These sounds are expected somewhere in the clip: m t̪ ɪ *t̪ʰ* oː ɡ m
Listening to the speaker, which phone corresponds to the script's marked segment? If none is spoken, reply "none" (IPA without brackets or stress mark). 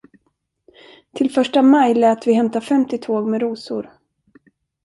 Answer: t̪ʰ